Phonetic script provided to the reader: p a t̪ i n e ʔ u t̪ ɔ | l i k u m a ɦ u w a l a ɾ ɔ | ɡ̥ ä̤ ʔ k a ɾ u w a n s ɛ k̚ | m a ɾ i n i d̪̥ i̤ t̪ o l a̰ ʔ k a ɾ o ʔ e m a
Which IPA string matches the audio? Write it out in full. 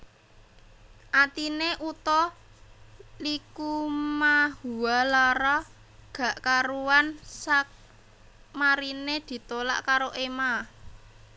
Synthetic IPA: ʔ a t̪ i n e ʔ u t̪ ɔ | l i k u m a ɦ u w a l a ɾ ɔ | ɡ̥ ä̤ ʔ k a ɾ u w a n s a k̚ | m a ɾ i n e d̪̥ i̤ t̪ o l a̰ ʔ k a ɾ o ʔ e m a